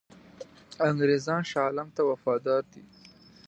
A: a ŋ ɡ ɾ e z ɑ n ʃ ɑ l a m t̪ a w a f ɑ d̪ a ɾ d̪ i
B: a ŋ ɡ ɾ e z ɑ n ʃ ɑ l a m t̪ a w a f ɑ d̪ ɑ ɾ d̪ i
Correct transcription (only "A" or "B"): B